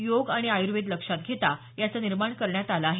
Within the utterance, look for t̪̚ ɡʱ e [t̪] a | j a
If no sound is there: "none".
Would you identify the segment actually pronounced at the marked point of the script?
t̪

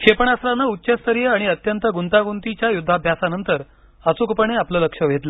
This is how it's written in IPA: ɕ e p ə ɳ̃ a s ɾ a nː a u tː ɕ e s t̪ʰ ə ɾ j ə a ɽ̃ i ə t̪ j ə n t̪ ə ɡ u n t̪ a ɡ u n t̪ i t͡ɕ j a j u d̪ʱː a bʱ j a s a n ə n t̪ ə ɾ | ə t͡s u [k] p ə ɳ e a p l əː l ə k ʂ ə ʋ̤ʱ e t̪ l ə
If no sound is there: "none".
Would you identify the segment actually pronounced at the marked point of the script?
k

